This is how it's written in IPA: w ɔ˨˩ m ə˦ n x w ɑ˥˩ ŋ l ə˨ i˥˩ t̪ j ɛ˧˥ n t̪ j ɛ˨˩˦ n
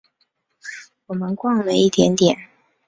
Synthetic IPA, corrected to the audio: w ɔ˨˩ m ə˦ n k w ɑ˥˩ ŋ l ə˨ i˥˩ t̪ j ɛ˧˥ n t̪ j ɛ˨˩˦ n